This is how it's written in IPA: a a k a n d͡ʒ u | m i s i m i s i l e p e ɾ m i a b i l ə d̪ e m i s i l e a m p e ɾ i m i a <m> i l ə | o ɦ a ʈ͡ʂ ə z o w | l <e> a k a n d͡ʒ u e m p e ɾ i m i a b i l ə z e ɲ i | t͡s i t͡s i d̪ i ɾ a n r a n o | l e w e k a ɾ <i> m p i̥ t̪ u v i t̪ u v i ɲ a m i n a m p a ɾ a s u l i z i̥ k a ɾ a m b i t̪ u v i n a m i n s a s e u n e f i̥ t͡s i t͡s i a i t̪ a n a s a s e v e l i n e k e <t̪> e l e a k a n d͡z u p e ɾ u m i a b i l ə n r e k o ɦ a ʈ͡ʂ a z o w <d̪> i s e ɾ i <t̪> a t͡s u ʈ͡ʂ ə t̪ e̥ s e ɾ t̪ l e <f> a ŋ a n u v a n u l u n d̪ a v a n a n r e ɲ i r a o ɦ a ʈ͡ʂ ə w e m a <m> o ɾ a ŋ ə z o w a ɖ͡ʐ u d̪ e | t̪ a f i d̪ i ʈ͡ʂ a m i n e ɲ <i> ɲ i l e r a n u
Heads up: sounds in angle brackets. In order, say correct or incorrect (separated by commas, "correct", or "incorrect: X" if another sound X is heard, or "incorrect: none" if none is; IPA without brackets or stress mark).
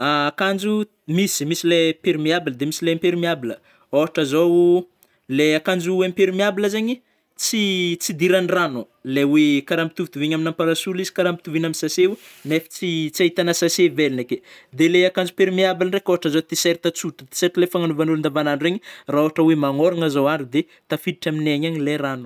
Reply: incorrect: b, correct, incorrect: a, incorrect: d̪, incorrect: t̪, correct, correct, incorrect: ŋ, incorrect: a